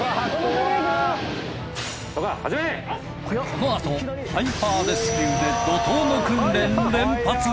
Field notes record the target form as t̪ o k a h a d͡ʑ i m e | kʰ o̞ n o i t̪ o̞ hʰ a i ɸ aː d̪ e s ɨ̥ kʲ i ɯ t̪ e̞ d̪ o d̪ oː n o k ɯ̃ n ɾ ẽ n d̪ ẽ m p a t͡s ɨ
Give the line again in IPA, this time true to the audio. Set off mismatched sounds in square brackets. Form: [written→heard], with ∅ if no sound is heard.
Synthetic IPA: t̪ o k a h a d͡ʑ i m e | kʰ o̞ n o [i→a] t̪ o̞ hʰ a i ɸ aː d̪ e s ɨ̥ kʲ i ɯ [t̪→d̪] e̞ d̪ o [d̪→t̪] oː n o k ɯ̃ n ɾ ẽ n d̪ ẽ m p a t͡s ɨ